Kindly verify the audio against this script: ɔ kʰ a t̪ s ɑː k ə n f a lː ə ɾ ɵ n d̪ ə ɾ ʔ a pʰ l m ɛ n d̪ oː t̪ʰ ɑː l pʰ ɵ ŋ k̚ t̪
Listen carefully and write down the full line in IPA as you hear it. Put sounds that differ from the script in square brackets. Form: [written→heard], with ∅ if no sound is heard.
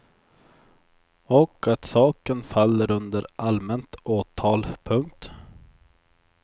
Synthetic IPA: ɔ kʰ a t̪ s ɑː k ə n f a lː ə ɾ ɵ n d̪ ə ɾ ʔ a [pʰ→∅] l m ɛ n [d̪→t̪] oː t̪ʰ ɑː l pʰ ɵ ŋ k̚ t̪